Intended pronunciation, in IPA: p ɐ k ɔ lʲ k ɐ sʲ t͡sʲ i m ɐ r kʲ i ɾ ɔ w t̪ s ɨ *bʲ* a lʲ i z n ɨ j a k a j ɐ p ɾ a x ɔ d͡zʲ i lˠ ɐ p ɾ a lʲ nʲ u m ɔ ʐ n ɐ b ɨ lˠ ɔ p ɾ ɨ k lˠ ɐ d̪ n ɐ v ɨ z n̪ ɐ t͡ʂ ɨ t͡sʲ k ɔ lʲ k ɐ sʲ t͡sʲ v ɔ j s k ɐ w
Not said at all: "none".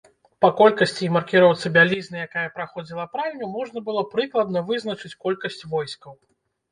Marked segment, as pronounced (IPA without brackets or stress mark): bʲ